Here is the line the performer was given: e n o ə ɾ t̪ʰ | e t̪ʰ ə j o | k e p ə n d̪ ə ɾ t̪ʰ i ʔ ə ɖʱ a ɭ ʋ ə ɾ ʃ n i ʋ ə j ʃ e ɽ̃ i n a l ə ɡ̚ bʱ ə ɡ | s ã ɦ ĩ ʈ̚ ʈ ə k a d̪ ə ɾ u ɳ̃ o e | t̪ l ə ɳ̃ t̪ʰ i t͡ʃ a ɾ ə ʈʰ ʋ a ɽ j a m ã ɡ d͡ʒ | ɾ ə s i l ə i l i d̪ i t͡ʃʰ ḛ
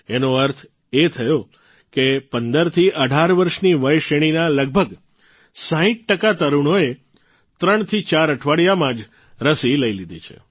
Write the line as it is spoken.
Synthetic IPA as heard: e n o ə ɾ t̪ʰ | e t̪ʰ ə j o | k e p ə n d̪ ə ɾ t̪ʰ i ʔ ə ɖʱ a ɾ ʋ ə ɾ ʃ n i ʋ ə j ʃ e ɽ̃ i n a l ə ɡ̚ bʱ ə ɡ | s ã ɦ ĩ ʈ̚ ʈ ə k a t̪ ə ɾ u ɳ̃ o e | t̪ ɾ ə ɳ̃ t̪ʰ i t͡ʃ a ɾ ə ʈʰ ʋ a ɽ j a m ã d͡ʒ | ɾ ə s i l ə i l i d̪ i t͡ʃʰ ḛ